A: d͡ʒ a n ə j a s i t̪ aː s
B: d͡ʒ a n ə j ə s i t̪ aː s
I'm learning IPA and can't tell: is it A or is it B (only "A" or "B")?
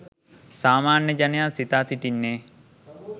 A